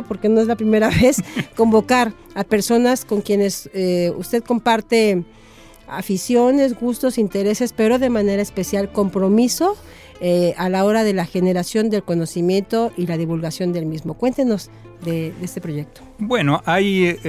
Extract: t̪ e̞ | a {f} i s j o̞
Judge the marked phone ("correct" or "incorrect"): correct